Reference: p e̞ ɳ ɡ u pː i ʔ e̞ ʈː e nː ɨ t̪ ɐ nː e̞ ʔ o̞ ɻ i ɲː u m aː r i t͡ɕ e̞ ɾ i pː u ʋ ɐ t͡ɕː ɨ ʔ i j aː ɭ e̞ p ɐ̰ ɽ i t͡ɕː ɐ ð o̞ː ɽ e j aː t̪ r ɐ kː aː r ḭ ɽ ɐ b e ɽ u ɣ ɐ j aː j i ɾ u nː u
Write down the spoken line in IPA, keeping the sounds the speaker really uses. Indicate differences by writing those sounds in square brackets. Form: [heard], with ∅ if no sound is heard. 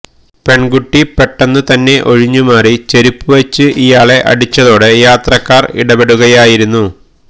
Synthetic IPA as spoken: p e̞ ɳ ɡ u [ʈː] i [p] e̞ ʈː e nː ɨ t̪ ɐ nː e̞ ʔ o̞ ɻ i ɲː u m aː r i t͡ɕ e̞ ɾ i pː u ʋ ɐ t͡ɕː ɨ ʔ i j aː ɭ e̞ [ʔ] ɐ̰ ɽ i t͡ɕː ɐ ð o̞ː ɽ e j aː t̪ r ɐ kː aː r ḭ ɽ ɐ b e ɽ u ɣ ɐ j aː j i ɾ u nː u